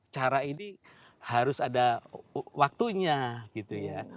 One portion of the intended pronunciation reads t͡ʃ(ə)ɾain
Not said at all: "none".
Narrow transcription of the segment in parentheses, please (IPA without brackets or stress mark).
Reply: a